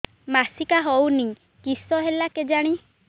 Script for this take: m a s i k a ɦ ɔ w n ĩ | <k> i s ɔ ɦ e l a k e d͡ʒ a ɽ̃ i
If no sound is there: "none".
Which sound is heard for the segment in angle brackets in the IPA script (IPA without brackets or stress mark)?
k